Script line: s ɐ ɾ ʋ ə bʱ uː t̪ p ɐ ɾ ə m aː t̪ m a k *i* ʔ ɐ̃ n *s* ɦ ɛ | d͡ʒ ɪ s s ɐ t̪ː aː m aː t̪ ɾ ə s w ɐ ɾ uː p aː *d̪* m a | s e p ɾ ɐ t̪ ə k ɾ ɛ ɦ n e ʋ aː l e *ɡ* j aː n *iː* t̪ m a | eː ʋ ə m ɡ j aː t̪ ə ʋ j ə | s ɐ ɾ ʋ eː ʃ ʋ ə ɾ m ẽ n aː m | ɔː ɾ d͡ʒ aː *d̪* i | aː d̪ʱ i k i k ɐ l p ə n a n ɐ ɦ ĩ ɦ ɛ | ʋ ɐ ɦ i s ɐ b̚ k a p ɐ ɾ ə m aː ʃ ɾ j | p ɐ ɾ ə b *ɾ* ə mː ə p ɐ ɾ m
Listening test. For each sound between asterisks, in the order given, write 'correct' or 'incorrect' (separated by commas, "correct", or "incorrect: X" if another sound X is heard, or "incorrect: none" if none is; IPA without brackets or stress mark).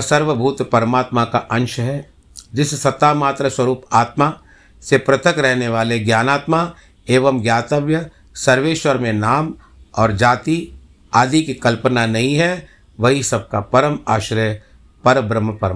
incorrect: a, incorrect: ʃ, incorrect: t̪, correct, incorrect: aː, incorrect: t̪, correct